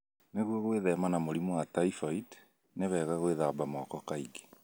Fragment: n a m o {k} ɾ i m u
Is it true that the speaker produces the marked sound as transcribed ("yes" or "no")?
no